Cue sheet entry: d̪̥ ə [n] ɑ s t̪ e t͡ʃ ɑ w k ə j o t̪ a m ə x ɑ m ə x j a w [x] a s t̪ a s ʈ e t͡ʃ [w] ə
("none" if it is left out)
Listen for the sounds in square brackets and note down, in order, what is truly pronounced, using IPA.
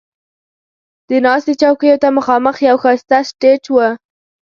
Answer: n, x, w

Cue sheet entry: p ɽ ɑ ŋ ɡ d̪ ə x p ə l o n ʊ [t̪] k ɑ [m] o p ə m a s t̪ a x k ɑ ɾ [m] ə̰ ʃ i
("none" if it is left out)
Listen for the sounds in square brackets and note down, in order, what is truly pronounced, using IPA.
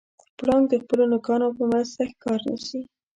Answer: none, n, n

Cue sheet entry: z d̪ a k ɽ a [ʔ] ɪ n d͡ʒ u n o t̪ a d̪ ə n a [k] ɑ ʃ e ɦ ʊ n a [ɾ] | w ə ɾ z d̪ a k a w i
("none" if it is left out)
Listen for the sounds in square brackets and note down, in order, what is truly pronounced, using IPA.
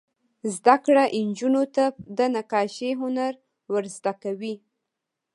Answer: ʔ, k, ɾ

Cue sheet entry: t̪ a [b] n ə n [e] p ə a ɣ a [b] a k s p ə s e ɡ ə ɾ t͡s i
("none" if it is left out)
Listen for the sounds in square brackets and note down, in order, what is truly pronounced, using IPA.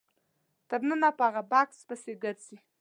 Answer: b, a, b

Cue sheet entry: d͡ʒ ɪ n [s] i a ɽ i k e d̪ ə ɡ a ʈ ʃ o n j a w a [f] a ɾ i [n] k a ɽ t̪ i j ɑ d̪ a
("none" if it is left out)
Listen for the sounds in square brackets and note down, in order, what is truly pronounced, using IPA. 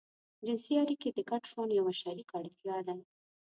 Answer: s, ʃ, none

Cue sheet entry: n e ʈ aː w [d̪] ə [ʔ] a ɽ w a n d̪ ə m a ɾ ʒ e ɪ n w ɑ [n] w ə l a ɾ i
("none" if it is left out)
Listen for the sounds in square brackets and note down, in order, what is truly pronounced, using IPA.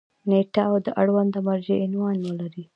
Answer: d̪, ʔ, n

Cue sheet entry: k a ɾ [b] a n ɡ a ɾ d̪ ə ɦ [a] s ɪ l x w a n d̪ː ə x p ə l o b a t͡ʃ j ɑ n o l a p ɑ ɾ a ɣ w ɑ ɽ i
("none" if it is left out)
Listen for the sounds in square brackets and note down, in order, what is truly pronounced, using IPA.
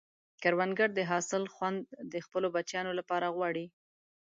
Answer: w, ɑ

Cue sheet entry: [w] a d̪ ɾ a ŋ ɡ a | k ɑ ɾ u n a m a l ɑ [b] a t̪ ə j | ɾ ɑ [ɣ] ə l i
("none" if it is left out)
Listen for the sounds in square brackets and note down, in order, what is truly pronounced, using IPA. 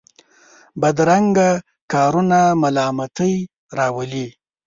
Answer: b, m, w

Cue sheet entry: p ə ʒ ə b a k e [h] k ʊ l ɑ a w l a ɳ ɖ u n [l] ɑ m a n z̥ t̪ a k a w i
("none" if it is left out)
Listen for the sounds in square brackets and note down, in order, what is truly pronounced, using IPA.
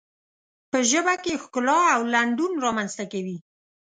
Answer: x, ɾ

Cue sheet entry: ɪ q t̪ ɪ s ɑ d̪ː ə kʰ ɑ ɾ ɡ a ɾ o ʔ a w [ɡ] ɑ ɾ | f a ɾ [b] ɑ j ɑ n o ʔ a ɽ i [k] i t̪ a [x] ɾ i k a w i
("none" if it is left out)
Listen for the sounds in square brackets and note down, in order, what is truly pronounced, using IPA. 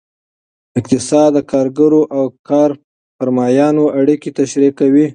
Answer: k, m, k, ʃ

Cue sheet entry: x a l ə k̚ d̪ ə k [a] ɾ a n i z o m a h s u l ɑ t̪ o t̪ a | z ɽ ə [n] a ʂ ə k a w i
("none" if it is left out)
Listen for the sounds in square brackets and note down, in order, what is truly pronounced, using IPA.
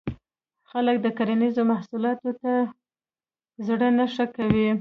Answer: a, n

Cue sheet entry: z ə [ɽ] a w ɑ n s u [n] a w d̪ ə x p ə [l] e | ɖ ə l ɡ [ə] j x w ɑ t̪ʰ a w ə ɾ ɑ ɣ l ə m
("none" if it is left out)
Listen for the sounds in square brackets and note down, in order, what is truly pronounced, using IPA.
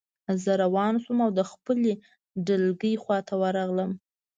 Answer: ɾ, m, l, ə

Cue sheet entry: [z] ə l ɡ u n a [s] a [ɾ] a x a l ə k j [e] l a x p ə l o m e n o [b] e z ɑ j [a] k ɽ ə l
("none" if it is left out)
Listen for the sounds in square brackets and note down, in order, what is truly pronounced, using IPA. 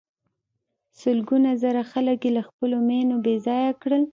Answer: s, z, ɾ, e, b, a

